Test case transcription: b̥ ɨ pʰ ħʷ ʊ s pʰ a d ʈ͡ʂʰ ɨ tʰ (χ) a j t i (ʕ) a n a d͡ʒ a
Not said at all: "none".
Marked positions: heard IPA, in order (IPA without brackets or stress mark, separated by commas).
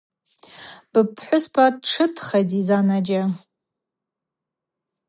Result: χ, z